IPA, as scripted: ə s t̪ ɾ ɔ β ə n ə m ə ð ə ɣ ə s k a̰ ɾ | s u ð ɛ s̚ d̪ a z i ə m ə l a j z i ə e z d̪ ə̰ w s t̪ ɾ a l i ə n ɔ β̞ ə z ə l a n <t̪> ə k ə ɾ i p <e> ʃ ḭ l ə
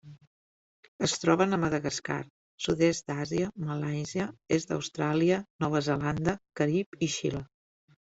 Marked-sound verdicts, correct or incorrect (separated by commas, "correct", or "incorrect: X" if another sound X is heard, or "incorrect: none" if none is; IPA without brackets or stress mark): incorrect: d̪, incorrect: i